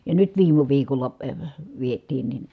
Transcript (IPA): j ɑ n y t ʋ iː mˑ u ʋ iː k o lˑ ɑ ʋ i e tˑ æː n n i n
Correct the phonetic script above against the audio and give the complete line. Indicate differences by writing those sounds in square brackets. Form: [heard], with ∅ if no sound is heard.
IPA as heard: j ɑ n y t ʋ iː mˑ u ʋ iː k o lˑ ɑ ʋ i e tˑ [iː] n n i n